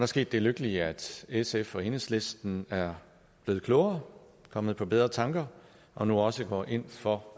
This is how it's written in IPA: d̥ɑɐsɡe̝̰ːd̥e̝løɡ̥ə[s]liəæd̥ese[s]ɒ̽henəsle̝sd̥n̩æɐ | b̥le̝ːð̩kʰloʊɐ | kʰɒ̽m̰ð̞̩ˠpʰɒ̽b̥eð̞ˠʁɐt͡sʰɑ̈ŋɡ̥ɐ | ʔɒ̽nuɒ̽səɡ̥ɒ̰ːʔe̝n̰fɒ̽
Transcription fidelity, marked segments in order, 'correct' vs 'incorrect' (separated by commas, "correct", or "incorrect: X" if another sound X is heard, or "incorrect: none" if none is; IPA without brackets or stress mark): incorrect: none, incorrect: f